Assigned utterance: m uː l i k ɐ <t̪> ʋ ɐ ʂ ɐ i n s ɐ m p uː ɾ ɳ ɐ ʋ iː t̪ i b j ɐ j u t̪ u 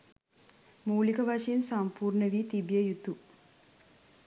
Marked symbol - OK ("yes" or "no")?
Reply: no